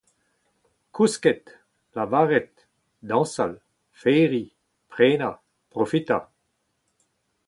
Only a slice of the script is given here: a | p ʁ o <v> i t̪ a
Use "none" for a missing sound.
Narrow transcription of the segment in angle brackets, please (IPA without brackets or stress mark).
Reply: f